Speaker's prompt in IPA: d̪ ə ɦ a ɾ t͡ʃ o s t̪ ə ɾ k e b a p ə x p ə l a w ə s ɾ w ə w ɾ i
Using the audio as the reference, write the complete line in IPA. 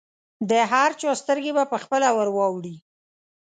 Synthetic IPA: d̪ ə ɦ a ɾ t͡ʃ o s t̪ ə ɾ ɡ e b a p ə x p ə l a w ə ɾ w ɑ w ɽ i